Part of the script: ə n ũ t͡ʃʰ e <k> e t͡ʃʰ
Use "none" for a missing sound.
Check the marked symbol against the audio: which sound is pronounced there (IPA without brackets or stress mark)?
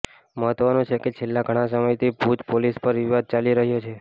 k